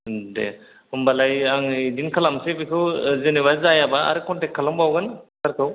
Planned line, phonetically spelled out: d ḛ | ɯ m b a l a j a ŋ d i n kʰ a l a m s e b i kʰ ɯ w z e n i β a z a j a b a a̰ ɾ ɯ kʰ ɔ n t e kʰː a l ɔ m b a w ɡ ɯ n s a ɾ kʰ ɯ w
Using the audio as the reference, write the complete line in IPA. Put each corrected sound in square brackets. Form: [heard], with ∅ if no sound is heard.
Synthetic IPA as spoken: d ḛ | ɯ m b a l a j a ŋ d i n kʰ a l a m s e b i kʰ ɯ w z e n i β a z a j a b a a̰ ɾ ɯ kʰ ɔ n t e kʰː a l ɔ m b a w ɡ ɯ n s a ɾ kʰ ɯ w